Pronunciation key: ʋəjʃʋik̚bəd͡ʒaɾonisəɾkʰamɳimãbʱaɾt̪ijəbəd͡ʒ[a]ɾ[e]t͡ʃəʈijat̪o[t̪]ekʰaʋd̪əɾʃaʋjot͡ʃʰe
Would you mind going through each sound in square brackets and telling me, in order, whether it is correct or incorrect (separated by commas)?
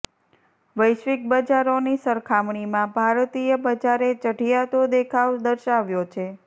correct, correct, incorrect